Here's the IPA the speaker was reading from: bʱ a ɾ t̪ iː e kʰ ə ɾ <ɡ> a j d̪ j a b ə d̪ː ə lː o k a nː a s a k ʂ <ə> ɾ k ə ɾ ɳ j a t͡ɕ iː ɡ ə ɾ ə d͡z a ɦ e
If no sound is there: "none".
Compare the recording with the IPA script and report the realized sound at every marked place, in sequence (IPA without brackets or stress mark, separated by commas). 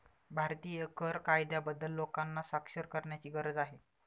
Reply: k, ə